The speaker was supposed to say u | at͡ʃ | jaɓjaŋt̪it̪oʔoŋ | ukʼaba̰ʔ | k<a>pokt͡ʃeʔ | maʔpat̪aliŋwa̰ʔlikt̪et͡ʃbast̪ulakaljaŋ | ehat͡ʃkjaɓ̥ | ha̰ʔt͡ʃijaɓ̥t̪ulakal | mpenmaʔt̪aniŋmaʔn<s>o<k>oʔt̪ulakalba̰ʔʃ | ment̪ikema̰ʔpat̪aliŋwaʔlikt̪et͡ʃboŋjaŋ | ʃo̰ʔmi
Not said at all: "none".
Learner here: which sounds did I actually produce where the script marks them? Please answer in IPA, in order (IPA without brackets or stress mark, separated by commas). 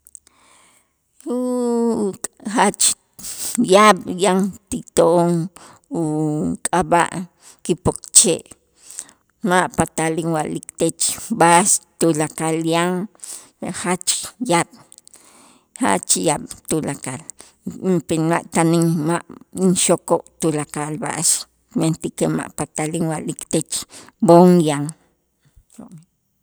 i, ʃ, k